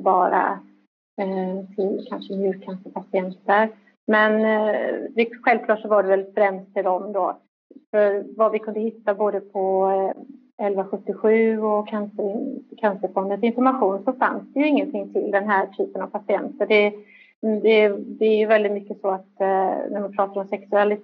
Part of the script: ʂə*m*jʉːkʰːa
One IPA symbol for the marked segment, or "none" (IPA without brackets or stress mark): m